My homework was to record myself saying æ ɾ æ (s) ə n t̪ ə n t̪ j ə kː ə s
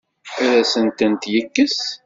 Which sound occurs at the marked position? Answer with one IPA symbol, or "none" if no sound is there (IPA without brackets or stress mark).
s